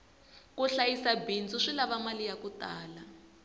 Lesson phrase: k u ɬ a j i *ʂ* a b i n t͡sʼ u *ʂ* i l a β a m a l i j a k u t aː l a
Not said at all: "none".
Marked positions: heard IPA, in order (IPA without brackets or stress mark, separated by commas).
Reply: s, ʂ